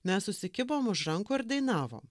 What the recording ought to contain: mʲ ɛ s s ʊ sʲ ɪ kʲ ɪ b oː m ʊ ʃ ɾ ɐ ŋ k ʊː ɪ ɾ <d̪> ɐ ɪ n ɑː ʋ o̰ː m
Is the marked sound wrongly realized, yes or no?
no